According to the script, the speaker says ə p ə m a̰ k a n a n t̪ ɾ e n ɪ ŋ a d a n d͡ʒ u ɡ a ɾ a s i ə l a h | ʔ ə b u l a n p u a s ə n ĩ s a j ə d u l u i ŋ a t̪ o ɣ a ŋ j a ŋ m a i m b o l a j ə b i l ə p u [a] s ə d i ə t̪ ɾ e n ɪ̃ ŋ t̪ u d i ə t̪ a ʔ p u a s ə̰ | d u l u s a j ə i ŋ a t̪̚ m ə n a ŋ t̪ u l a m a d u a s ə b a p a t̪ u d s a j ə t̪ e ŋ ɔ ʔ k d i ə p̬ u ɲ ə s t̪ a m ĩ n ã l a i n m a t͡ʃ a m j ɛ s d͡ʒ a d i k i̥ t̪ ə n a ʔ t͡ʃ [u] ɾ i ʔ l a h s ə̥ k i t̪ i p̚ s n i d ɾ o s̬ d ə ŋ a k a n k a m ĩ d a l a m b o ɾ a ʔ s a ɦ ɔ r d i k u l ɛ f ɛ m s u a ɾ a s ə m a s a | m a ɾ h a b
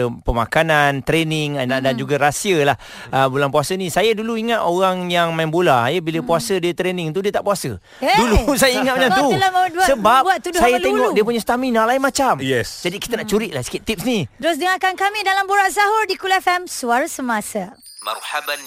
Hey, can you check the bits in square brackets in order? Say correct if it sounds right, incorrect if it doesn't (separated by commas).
correct, correct